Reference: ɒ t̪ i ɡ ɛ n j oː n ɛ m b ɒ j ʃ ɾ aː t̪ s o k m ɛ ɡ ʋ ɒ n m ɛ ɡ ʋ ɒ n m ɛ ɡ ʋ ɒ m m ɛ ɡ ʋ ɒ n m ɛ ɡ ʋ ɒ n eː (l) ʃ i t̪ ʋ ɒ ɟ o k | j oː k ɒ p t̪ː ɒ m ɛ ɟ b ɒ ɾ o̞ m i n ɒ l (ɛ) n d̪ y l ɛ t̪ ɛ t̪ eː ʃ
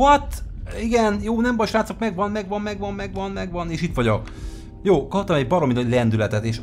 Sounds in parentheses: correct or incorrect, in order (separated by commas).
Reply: incorrect, correct